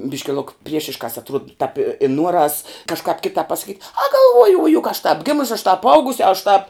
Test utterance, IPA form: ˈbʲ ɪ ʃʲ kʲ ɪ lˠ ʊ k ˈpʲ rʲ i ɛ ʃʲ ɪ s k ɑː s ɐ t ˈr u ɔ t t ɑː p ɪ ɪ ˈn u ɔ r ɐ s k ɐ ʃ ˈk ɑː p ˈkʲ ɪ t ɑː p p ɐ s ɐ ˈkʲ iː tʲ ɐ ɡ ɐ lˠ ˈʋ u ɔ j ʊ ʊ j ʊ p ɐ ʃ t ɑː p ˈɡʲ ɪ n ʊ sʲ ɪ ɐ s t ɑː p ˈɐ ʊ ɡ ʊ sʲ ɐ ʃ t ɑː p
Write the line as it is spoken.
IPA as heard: ˈbʲ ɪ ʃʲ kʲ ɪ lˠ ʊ k ˈpʲ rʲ i ɛ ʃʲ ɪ ʃ k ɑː s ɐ t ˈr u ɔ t t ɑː p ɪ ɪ ˈn u ɔ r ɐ s k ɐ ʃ ˈk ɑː p ˈkʲ ɪ t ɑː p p ɐ s ɐ ˈkʲ iː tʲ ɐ ɡ ɐ lˠ ˈʋ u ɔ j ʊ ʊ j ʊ k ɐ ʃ t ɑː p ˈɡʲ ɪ m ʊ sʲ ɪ ɐ ʃ t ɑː p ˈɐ ʊ ɡ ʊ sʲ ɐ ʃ t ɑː p